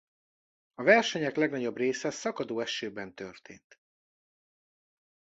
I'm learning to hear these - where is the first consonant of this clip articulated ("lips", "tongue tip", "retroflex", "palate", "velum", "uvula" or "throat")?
lips